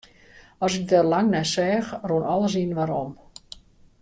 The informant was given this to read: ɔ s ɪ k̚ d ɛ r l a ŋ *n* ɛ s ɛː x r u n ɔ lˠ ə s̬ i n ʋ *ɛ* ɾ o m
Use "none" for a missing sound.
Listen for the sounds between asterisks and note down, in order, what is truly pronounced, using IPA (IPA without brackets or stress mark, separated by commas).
n, a